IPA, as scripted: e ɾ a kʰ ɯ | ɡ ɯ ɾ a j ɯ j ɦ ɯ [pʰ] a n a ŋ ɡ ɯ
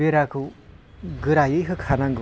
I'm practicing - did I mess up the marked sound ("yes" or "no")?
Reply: yes